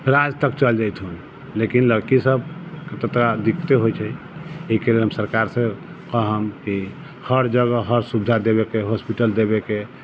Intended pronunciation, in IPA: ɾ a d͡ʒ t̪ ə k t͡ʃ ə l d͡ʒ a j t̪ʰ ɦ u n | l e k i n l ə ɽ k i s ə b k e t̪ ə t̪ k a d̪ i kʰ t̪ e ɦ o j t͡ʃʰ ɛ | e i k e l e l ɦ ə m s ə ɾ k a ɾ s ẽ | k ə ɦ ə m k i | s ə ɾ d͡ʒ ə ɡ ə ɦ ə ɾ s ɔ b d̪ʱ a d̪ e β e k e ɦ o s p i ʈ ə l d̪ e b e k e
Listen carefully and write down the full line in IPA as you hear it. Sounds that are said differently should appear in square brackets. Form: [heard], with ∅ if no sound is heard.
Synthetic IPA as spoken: ɾ a d͡ʒ t̪ ə k t͡ʃ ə l d͡ʒ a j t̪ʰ ɦ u n | l e k i n l ə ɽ k i s ə b k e t̪ ə t̪ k a d̪ i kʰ t̪ e ɦ o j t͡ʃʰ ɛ | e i k e l e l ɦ ə m s ə ɾ k a ɾ s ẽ | k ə ɦ ə m k i | [h] ə ɾ d͡ʒ ə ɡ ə ɦ ə ɾ s [u] b d̪ʱ a d̪ e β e k e ɦ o s p i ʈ ə l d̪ e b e k e